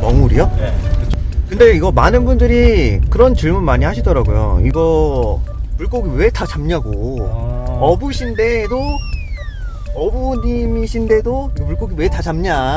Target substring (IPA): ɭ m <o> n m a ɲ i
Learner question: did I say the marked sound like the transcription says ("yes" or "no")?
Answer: no